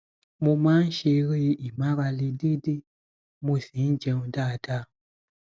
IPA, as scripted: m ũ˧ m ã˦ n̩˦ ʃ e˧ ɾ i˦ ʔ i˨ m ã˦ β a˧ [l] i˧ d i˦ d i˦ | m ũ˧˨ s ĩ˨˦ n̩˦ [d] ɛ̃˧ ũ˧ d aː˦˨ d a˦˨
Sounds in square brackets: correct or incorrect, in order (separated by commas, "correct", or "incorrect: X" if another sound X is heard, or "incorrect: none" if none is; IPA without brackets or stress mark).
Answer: correct, incorrect: d͡ʒ